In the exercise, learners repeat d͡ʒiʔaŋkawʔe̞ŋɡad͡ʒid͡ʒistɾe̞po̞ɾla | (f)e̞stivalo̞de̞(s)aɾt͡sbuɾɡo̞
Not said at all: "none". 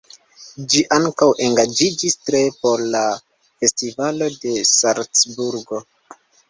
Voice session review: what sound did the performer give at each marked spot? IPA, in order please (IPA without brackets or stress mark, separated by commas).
f, s